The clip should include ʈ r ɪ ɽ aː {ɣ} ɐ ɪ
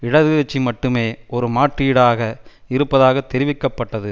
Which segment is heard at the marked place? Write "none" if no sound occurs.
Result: ɣ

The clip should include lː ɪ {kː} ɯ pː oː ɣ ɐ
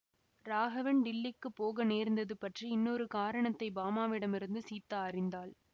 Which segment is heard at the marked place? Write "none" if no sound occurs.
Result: kː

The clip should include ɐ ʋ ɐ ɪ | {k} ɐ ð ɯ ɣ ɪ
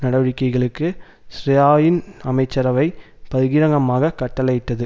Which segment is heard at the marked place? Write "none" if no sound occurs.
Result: p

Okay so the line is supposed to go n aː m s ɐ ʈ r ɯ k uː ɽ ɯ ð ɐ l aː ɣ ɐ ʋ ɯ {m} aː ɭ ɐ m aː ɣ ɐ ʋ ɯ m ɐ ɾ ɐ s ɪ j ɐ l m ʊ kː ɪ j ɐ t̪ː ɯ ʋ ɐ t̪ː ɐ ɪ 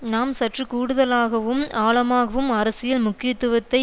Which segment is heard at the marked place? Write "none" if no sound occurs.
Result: m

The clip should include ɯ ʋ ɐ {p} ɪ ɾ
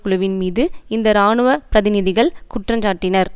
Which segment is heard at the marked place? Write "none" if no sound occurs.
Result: p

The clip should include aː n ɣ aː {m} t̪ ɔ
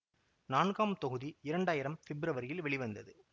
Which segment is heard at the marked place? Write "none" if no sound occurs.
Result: m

